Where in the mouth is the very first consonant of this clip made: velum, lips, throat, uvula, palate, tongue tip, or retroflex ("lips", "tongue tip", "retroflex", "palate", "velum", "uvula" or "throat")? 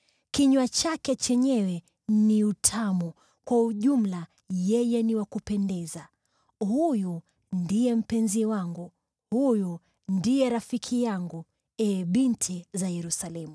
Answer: velum